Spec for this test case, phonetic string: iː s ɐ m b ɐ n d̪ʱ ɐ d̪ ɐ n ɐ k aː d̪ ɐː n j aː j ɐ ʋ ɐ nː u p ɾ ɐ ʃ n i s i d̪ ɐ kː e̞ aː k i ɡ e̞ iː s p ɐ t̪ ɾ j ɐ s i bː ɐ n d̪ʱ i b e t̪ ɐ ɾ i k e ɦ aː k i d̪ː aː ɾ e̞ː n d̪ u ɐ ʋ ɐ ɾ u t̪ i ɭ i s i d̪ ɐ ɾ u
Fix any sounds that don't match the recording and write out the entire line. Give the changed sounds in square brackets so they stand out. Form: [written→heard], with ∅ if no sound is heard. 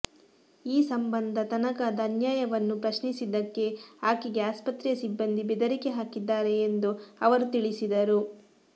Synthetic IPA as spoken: iː s ɐ m b ɐ n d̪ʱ ɐ [d̪→t̪] ɐ n ɐ k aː d̪ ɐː n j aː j ɐ ʋ ɐ nː u p ɾ ɐ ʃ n i s i d̪ ɐ kː e̞ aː k i ɡ e̞ [iː→aː] s p ɐ t̪ ɾ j ɐ s i bː ɐ n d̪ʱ i b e [t̪→d̪] ɐ ɾ i k e ɦ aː k i d̪ː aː ɾ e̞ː n d̪ u ɐ ʋ ɐ ɾ u t̪ i ɭ i s i d̪ ɐ ɾ u